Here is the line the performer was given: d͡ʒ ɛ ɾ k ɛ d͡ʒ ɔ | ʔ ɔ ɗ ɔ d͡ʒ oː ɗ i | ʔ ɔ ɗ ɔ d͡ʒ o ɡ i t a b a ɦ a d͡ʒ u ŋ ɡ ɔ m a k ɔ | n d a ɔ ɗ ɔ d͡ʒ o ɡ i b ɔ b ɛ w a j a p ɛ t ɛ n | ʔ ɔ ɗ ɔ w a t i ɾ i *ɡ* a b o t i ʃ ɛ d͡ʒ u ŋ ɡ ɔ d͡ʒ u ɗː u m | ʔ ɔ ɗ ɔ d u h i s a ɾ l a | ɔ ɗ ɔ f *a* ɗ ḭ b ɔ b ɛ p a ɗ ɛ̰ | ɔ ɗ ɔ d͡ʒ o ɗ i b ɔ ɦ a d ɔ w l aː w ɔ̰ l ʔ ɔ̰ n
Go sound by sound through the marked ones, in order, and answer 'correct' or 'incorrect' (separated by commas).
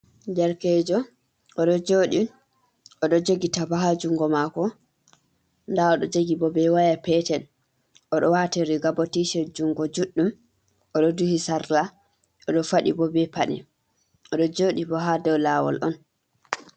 correct, correct